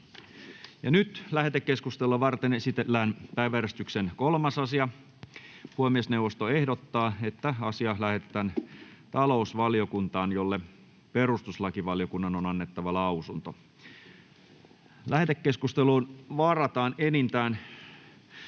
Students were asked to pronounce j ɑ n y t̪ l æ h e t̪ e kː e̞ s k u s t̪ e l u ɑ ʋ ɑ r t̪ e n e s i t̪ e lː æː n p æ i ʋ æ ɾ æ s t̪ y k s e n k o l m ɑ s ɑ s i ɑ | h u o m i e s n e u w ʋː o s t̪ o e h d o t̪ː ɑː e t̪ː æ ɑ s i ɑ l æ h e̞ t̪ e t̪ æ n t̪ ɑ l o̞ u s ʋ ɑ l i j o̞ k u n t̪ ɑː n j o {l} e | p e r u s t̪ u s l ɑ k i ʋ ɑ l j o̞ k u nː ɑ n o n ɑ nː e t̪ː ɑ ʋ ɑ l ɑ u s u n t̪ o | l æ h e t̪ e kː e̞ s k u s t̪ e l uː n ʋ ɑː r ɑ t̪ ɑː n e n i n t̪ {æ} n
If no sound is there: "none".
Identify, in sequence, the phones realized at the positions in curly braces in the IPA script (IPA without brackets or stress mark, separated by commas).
lː, æː